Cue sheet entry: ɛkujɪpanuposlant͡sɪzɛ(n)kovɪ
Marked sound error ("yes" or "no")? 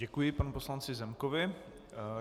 yes